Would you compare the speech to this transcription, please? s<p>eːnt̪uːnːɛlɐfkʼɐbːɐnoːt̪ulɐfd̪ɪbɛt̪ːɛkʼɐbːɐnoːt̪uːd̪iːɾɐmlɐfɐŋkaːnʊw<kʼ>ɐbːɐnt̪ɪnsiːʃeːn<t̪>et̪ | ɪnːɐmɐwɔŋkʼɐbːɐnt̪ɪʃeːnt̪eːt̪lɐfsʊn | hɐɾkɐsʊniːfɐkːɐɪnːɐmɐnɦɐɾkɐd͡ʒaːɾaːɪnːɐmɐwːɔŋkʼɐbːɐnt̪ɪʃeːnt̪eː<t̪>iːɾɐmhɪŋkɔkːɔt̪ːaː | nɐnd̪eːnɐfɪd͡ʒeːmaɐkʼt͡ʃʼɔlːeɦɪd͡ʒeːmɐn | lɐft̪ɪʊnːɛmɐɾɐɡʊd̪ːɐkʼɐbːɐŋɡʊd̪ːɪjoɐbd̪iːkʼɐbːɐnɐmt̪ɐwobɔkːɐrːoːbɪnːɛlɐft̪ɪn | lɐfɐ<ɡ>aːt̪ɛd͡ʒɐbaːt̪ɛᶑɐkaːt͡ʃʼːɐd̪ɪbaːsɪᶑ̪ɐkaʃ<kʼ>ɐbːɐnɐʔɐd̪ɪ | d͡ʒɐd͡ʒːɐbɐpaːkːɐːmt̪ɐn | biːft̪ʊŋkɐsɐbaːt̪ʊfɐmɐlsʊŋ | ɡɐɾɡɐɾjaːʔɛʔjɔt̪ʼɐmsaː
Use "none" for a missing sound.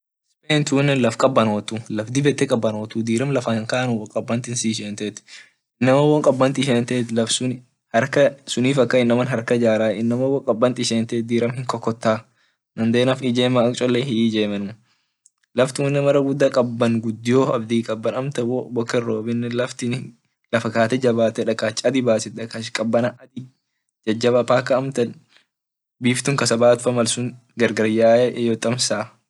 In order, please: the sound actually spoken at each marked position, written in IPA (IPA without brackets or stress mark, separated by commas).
p, kʼ, t̪, d̪, k, kʼ